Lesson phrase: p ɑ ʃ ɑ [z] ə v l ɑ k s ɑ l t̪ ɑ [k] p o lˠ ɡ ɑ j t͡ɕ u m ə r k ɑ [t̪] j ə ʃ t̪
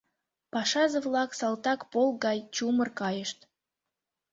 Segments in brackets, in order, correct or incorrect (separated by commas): correct, correct, incorrect